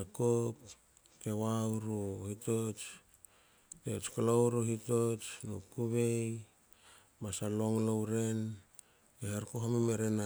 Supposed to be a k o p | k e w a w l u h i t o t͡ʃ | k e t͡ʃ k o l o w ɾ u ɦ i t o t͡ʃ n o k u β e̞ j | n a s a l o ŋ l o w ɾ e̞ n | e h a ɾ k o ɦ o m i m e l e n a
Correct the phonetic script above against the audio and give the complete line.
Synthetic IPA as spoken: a k o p | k e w a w ɾ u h i t o t͡ʃ | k e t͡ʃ k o l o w ɾ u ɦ i t o t͡ʃ n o k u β e̞ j | m a s a l o ŋ l o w ɾ e̞ n | e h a ɾ k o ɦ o m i m e ɾ e n a